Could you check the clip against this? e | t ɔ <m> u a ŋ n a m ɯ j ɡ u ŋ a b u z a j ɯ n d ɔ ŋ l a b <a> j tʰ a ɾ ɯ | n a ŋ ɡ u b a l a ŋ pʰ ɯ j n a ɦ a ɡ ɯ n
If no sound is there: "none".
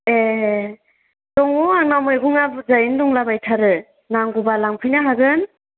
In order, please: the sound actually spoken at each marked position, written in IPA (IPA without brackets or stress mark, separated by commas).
ŋ, a